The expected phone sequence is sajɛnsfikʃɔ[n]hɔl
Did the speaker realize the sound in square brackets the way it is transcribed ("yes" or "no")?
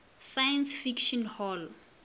yes